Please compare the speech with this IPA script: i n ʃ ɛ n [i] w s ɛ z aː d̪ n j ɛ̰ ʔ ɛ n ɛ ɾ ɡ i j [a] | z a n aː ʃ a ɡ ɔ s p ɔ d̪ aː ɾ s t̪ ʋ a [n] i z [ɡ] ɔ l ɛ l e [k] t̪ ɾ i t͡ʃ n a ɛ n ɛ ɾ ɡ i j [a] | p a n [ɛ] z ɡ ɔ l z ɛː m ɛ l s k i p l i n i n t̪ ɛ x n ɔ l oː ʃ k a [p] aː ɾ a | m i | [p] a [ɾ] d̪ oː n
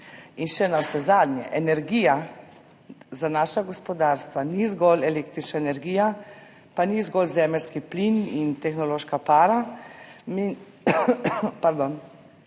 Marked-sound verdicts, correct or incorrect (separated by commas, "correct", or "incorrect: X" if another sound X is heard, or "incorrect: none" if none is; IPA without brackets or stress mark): incorrect: a, correct, correct, correct, correct, correct, incorrect: i, correct, correct, correct